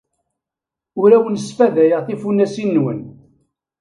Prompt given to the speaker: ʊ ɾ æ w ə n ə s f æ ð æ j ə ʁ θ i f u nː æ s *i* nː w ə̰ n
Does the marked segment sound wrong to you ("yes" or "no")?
no